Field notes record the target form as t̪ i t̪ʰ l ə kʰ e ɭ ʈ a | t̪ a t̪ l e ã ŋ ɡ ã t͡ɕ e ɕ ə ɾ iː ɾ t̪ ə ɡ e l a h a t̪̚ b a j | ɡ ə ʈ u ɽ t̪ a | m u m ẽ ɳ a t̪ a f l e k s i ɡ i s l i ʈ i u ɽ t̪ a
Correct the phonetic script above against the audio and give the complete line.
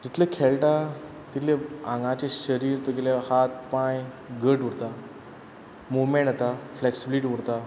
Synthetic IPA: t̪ i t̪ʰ l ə kʰ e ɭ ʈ a | t̪ i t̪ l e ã ŋ ɡ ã t͡ɕ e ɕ ə ɾ iː ɾ t̪ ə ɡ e l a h a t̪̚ p a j | ɡ ə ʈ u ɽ t̪ a | m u m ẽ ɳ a t̪ a f l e k s i b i l i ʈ i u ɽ t̪ a

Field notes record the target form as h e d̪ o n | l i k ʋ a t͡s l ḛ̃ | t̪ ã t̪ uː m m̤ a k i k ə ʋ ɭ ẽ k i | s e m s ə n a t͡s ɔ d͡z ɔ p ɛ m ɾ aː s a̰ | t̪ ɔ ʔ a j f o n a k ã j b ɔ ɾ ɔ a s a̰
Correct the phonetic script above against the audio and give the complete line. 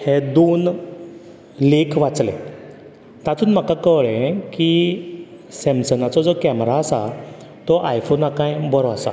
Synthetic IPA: h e d̪ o n | l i k ʋ a t͡s l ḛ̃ | t̪ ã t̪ uː n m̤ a k a k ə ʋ ɭ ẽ k i | s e m s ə n a t͡s ɔ d͡z ɔ k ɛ m ɾ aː s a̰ | t̪ ɔ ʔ a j f o n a k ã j b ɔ ɾ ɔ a s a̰

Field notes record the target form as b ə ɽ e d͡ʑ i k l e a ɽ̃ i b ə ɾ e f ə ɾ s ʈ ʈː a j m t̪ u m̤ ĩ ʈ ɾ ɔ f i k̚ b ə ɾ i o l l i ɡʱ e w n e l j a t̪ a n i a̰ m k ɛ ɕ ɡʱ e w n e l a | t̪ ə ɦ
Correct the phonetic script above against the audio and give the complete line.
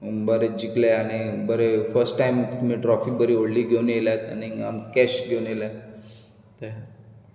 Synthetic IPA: b ə ɾ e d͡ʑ i k l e a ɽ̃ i b ə ɾ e f ə ɾ s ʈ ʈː a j m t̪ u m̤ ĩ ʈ ɾ ɔ f i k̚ b ə ɾ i o ɽ l i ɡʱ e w n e l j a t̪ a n i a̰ m k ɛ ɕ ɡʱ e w n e l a | t̪ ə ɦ

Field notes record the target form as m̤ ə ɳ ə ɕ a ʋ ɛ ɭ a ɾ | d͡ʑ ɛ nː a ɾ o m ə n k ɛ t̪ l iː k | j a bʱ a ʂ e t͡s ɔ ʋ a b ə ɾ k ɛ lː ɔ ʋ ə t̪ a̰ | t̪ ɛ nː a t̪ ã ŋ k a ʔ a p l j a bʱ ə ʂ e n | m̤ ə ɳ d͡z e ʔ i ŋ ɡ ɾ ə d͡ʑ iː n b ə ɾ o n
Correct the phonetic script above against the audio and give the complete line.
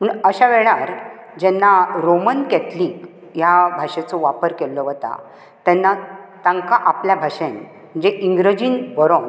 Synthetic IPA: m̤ ə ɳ ə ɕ a ʋ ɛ ɭ a ɾ | d͡ʑ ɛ nː a ɾ o m ə n k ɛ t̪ l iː k | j a bʱ a ʂ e t͡s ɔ ʋ a p ə ɾ k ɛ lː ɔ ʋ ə t̪ a̰ | t̪ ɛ nː a t̪ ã ŋ k a ʔ a p l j a bʱ a ʂ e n | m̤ ə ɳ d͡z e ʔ i ŋ ɡ ɾ ə d͡ʑ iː n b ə ɾ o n

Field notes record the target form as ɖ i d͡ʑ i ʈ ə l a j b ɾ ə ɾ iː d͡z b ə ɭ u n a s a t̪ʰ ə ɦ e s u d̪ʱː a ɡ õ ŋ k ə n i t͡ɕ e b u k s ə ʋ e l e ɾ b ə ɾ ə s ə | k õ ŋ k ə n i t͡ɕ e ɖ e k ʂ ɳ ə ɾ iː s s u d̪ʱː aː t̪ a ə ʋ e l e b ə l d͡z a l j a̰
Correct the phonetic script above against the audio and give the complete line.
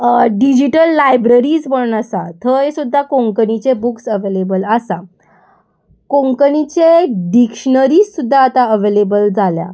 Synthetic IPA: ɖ i d͡ʑ i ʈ ə lː a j b ɾ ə ɾ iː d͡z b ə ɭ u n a s a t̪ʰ ə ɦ e s u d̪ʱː a k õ ŋ k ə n i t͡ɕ e b u k s ə ʋ e l e b ə l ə s a | k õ ŋ k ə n i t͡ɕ e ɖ i k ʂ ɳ ə ɾ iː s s u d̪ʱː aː t̪ a ə ʋ e l e b ə l d͡z a l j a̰

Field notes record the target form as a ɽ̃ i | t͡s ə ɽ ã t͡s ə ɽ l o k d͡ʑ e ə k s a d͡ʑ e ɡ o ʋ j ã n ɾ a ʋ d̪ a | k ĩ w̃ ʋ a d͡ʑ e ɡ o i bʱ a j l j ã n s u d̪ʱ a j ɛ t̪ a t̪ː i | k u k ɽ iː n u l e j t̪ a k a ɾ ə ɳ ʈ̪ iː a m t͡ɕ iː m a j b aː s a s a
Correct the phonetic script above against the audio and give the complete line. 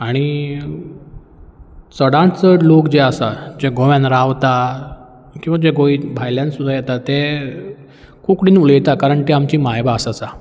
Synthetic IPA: a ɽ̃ i | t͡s ə ɽ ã t͡s ə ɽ l o k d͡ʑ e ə s a d͡ʑ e ɡ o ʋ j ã n ɾ a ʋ t̪ a | k ĩ w̃ ʋ a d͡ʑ e ɡ o i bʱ a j l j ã n s u d̪ʱ a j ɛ t̪ a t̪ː e | k u k ɽ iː n u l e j t̪ a k a ɾ ə ɳ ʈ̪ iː a m t͡ɕ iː m a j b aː s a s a

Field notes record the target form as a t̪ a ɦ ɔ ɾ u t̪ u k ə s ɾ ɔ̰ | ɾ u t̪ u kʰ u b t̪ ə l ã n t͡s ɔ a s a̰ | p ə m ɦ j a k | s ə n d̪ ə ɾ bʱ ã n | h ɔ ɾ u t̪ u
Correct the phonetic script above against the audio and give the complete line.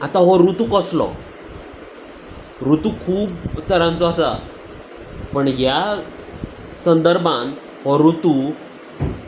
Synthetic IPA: a t̪ a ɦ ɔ ɾ u t̪ u k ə s l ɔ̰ | ɾ u t̪ u kʰ uː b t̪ ə ɾ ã n t͡s ɔ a s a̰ | p ə ɳ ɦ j a | s ə n d̪ ə ɾ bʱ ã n | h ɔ ɾ u t̪ u

